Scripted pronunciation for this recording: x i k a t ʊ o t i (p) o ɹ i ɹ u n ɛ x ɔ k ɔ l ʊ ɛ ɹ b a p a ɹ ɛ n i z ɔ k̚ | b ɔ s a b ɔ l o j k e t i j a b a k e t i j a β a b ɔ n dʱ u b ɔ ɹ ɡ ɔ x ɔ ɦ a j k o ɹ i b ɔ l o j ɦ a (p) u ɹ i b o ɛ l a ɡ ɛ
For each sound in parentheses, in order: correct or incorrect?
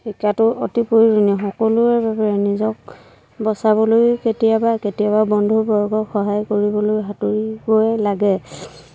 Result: correct, incorrect

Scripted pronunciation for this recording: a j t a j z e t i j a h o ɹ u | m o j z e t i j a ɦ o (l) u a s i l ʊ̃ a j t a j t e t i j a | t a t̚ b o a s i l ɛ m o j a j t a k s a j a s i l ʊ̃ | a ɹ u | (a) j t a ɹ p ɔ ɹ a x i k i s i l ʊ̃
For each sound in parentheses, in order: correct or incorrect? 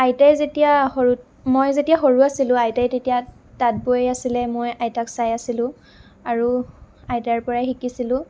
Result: incorrect, correct

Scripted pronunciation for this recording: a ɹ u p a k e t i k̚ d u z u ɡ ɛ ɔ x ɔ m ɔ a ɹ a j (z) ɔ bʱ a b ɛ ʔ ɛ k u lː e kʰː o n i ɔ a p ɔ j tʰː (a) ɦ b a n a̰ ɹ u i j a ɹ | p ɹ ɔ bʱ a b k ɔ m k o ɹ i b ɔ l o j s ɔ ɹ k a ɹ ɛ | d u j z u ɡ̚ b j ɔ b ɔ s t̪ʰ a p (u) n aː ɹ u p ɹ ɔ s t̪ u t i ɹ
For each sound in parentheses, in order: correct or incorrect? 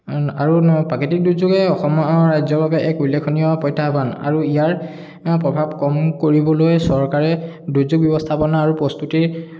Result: correct, correct, incorrect

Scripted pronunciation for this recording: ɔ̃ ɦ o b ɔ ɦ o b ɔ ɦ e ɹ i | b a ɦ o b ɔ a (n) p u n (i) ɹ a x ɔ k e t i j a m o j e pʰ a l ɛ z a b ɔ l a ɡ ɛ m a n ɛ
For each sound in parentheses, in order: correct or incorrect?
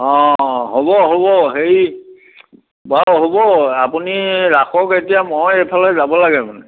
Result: incorrect, correct

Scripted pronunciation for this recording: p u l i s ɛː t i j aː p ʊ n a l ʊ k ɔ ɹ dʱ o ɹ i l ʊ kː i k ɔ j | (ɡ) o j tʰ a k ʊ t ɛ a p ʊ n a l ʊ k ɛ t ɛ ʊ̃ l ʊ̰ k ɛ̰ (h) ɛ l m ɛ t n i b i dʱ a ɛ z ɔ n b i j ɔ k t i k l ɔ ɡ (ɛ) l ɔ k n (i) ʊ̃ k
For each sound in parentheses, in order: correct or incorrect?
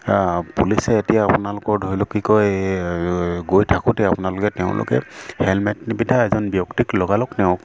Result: correct, correct, incorrect, incorrect

